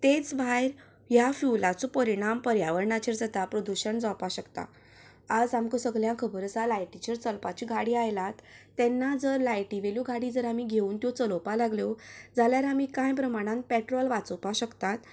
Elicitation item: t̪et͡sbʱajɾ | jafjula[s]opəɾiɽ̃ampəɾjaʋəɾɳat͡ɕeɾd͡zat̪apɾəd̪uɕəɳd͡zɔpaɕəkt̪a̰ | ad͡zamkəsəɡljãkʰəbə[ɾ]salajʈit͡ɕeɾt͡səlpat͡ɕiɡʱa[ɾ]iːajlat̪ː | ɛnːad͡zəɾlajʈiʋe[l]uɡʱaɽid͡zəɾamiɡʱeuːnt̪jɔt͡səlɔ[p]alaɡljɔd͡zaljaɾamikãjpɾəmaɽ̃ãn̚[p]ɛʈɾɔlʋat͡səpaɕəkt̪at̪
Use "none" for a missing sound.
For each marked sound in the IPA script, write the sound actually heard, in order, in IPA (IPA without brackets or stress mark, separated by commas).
t͡s, ɾ, ɽ, l, p, p